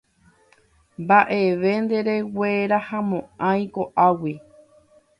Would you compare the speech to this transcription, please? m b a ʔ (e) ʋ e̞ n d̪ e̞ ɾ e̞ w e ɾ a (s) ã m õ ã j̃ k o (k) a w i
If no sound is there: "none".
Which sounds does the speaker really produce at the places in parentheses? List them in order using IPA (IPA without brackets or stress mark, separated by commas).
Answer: e, h, ʔ